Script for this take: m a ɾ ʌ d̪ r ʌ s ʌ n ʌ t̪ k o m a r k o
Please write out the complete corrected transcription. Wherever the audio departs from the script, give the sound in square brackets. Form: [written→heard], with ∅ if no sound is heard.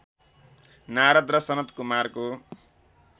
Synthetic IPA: [m→n] a ɾ ʌ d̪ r ʌ s ʌ n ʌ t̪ k [o→u] m a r k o